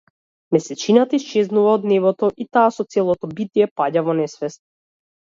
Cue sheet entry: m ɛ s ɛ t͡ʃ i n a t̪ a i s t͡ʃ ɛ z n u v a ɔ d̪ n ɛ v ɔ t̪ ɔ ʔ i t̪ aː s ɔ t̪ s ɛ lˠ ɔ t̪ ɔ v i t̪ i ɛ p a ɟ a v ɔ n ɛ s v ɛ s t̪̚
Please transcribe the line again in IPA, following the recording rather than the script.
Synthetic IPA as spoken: m ɛ s ɛ t͡ʃ i n a t̪ a i s t͡ʃ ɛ z n u v a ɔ d̪ n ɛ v ɔ t̪ ɔ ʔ i t̪ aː s ɔ t̪ s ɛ lˠ ɔ t̪ ɔ b i t̪ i ɛ p a ɟ a v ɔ n ɛ s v ɛ s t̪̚